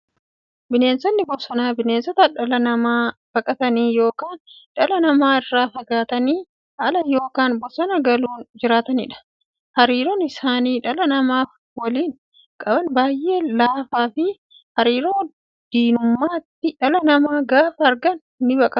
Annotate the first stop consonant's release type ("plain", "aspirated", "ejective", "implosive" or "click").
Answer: plain